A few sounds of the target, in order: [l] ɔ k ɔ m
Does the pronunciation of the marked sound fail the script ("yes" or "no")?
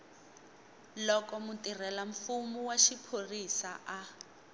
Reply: no